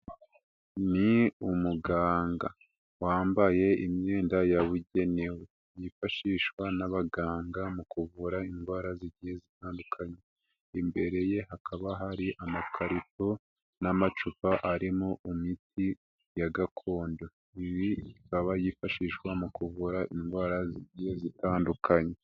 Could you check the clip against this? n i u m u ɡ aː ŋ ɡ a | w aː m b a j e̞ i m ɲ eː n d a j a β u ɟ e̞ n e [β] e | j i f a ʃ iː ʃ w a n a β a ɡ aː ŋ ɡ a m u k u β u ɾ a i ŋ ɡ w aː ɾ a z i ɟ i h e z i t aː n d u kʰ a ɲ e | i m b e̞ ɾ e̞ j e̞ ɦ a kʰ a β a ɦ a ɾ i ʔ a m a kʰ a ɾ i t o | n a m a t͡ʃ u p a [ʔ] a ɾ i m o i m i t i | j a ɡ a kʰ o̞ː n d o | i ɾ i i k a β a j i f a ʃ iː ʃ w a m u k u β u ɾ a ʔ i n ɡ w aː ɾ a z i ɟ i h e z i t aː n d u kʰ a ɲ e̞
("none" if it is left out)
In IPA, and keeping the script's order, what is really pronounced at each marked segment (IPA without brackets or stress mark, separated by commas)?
w, ʔ